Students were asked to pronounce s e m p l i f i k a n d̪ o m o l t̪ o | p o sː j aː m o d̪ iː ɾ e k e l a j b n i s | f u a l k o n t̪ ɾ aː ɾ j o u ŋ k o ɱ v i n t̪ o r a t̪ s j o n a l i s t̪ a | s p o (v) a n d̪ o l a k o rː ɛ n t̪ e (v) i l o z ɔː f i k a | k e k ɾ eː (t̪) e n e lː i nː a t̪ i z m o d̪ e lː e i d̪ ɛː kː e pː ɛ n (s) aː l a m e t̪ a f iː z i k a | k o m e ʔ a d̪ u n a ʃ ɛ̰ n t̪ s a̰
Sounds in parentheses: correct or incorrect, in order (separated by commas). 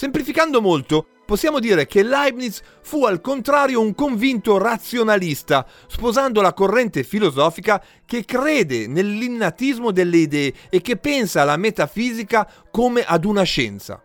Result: incorrect, incorrect, incorrect, correct